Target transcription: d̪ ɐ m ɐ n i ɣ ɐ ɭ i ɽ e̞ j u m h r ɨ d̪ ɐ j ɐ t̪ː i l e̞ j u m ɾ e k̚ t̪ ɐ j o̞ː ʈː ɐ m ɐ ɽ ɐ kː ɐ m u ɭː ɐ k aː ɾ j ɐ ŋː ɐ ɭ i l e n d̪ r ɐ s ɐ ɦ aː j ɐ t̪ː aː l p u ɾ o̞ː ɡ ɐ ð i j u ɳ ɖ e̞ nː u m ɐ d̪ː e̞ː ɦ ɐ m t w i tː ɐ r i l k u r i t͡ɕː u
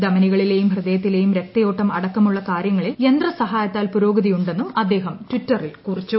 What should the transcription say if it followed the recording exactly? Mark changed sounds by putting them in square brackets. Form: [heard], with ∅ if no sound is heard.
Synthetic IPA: d̪ ɐ m ɐ n i ɣ ɐ ɭ i [l] e̞ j u m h r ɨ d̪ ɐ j ɐ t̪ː i l e̞ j u m ɾ e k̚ t̪ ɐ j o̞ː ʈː ɐ m ɐ ɽ ɐ kː ɐ m u ɭː ɐ k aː ɾ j ɐ ŋː ɐ ɭ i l e n d̪ r ɐ s ɐ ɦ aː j ɐ t̪ː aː l p u ɾ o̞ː ɡ ɐ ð i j u ɳ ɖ e̞ nː u m ɐ d̪ː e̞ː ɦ ɐ m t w i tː ɐ r i l k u r i t͡ɕː u